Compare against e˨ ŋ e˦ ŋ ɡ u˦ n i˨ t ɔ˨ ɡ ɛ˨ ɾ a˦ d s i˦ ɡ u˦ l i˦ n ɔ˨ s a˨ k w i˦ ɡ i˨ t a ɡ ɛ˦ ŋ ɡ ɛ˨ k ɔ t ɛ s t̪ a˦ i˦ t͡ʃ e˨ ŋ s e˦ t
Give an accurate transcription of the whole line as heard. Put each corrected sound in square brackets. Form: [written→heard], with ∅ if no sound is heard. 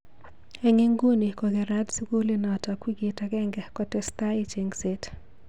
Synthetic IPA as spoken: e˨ ŋ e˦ ŋ ɡ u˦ n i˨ [t→k] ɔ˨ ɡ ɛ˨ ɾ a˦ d s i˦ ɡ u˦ l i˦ n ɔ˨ [s→t] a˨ k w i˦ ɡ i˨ t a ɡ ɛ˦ ŋ ɡ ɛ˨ k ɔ t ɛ s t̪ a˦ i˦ t͡ʃ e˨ ŋ s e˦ t

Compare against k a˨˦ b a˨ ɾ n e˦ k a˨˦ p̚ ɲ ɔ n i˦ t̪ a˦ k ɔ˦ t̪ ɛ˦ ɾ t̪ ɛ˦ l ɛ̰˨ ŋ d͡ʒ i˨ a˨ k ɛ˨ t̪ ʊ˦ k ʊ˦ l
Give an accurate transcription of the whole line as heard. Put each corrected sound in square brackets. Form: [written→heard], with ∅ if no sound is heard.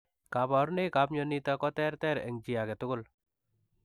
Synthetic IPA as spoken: k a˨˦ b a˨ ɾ n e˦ k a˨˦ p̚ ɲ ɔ n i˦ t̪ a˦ k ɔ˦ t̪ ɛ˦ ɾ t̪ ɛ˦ [l→ɾ] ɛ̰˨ ŋ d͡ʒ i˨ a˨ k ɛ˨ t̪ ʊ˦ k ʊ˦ l

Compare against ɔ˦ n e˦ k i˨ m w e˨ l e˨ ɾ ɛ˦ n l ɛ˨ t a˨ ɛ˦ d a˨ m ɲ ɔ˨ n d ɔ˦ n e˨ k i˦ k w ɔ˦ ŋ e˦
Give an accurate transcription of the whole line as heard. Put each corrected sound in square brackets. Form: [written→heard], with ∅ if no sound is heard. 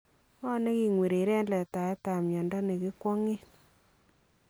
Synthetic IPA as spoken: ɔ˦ n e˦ k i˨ [m→ŋ] w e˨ [l→ɾ] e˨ ɾ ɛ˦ n l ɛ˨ t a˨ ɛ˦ [d→t] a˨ m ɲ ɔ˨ n d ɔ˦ n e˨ k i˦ k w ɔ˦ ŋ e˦

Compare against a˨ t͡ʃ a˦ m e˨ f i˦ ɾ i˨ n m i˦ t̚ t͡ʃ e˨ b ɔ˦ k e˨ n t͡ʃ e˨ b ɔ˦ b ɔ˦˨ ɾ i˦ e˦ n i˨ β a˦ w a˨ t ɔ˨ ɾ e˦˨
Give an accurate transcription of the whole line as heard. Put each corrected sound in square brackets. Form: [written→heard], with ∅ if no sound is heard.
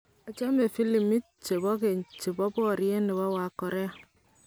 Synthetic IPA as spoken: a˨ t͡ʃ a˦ m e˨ f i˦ [ɾ→l] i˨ [n→∅] m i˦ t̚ t͡ʃ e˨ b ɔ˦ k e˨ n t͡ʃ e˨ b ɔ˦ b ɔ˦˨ ɾ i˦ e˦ n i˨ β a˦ w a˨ [t→k] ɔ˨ ɾ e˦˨

